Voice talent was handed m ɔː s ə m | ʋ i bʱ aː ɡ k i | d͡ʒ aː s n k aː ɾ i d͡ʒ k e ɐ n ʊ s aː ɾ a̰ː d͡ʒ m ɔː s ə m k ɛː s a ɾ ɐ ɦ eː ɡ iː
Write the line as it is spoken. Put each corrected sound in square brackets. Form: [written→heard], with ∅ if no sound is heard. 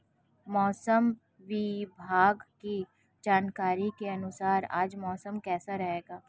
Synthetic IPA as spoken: m ɔː s ə m | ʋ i bʱ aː ɡ k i | d͡ʒ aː [s→∅] n k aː ɾ i [d͡ʒ→∅] k e ɐ n ʊ s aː ɾ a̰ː d͡ʒ m ɔː s ə m k ɛː s a ɾ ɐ ɦ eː ɡ [iː→aː]